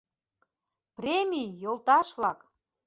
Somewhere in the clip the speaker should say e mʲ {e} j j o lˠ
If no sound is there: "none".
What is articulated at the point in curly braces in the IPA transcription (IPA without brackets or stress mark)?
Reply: i